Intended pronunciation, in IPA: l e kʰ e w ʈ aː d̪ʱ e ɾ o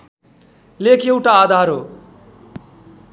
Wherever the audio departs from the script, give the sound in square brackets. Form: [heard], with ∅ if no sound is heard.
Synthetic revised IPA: l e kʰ e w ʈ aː d̪ʱ [a] ɾ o